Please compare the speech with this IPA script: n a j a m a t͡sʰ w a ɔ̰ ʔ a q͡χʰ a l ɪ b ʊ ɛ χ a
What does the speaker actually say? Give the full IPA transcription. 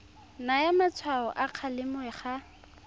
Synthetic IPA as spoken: n a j a m a t͡sʰ w a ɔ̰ ʔ a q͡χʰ a l ɪ m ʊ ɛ χ a